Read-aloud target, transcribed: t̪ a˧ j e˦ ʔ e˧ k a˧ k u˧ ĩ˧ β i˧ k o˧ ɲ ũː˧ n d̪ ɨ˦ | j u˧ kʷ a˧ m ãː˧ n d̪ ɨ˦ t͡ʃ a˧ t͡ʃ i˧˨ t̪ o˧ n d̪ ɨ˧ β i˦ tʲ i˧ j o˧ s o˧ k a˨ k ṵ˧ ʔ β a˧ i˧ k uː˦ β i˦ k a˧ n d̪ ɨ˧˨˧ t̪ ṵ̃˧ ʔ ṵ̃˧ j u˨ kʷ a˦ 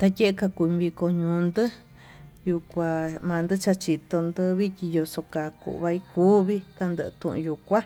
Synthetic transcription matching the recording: t̪ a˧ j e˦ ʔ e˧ k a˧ k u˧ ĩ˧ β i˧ k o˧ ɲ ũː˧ n d̪ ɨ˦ | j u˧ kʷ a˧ m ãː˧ n d̪ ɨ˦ t͡ʃ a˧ t͡ʃ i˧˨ t̪ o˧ n d̪ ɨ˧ β i˦ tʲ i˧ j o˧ s o˧ k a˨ k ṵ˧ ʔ β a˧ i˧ k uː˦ β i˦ k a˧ n d̪ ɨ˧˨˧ t̪ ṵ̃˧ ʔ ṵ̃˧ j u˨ kʷ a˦